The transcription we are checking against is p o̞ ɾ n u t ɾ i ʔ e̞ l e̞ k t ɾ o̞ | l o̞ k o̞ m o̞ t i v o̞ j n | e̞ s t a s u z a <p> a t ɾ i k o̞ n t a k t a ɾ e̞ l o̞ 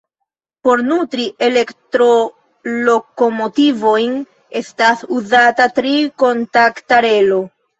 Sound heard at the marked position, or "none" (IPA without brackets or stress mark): t